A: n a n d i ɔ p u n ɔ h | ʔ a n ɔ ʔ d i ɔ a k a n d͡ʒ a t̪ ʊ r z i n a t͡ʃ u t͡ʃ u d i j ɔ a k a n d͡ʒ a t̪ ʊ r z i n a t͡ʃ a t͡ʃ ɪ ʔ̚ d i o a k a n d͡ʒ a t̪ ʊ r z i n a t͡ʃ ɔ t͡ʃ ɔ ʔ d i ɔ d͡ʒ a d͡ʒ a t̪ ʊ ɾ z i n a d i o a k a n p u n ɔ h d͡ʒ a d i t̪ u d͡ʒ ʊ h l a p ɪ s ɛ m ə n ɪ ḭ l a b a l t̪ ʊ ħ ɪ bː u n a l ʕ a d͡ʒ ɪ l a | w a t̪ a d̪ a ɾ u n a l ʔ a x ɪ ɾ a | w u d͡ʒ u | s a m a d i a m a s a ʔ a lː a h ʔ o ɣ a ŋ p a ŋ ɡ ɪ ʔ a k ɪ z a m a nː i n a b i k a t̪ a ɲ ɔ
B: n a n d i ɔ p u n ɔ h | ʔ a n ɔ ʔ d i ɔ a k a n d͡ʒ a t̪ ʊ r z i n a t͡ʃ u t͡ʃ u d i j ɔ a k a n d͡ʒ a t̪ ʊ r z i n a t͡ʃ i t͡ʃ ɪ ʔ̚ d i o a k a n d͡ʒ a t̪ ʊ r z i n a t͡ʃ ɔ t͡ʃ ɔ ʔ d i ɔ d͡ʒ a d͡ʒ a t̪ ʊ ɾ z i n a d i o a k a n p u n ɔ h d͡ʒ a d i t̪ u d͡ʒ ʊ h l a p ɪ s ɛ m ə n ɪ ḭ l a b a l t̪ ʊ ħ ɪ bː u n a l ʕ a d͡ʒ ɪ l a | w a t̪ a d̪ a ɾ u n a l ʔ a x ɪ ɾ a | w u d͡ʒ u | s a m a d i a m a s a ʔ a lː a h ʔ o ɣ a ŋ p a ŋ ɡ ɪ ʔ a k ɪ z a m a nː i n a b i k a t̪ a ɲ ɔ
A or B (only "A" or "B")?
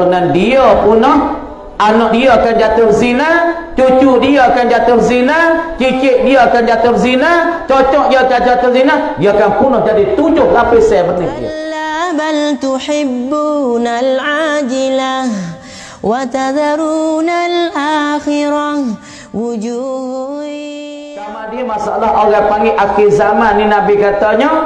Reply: B